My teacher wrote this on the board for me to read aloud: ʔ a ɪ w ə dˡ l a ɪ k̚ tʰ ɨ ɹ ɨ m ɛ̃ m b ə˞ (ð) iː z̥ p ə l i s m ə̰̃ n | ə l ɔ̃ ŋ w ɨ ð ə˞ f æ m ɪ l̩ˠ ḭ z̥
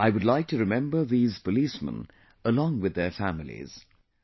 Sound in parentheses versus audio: correct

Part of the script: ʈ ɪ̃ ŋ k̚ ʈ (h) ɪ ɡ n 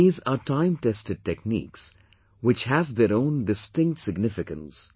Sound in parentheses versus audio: incorrect: s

